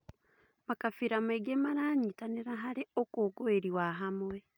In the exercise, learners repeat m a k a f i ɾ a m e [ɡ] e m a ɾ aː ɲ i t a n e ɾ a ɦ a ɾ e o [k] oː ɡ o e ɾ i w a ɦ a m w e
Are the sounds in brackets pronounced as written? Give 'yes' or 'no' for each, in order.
yes, yes

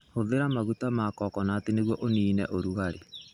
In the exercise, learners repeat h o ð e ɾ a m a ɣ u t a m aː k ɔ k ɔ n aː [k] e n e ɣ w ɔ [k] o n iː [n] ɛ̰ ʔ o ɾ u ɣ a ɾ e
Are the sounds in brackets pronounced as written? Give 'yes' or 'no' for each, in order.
no, no, yes

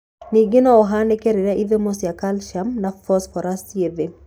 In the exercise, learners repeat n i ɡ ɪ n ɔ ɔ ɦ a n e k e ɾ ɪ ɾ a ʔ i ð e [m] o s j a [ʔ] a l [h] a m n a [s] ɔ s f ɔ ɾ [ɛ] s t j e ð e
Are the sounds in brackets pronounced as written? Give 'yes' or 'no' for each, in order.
yes, no, no, no, no

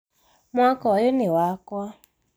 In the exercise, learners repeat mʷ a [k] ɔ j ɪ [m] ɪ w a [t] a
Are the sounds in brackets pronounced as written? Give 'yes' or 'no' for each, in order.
yes, no, no

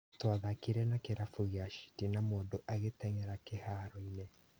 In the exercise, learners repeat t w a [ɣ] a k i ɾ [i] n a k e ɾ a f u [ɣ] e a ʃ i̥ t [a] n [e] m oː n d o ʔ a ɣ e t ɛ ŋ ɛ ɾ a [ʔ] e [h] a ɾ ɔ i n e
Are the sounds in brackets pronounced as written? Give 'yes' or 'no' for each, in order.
no, no, yes, no, no, no, yes

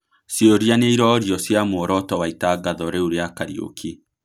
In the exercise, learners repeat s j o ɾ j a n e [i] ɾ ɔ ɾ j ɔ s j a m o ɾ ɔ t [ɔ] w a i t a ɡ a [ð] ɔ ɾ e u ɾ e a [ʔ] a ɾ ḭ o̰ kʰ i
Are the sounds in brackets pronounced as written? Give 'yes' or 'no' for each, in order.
yes, yes, yes, no

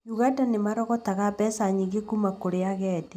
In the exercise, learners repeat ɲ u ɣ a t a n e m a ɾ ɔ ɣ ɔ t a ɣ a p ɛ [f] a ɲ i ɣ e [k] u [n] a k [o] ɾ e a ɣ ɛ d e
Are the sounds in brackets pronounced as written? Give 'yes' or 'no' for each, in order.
no, yes, no, yes

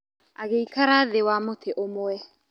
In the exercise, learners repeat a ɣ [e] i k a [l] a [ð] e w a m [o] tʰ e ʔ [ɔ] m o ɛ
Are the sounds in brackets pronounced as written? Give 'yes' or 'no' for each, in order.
yes, no, yes, yes, no

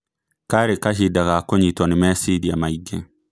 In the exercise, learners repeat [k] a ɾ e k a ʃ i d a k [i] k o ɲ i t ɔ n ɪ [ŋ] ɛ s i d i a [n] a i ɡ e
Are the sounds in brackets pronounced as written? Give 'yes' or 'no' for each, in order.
yes, no, no, no

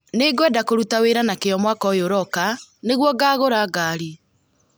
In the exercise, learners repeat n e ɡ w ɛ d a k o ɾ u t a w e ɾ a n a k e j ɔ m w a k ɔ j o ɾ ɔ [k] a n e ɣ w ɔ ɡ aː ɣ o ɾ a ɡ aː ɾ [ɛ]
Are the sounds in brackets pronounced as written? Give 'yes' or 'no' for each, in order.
yes, no

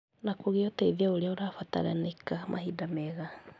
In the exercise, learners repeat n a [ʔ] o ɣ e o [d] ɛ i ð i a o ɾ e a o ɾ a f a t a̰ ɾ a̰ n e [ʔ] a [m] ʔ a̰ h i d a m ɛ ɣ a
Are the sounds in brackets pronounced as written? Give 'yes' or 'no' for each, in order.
no, no, no, yes

